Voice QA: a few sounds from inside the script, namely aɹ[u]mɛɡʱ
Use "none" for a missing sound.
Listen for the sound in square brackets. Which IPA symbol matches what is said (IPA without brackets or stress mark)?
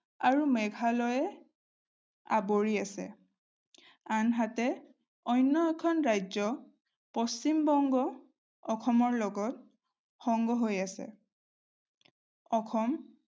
u